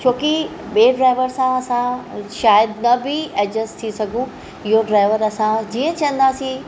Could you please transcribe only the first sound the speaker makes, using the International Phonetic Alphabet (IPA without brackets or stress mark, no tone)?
t͡ɕʰ